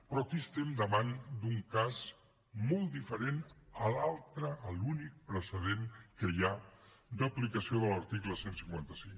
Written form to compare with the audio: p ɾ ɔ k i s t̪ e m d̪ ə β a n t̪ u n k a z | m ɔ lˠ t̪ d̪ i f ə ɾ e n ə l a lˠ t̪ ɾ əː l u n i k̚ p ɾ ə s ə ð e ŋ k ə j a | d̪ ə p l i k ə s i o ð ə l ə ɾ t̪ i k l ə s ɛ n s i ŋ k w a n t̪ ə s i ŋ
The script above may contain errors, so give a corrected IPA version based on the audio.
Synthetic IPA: p ɾ ɔ k i s t̪ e m d̪ ə β a n d̪ u ŋ k a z | m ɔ lˠ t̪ d̪ i f ə ɾ e n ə l a lˠ t̪ ɾ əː l u n i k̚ p ɾ ə s ə ð e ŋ k ə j a | d̪ ə p l i k ə s i o ð ə l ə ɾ t̪ i k l ə s e n s i ŋ k w a n t̪ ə s i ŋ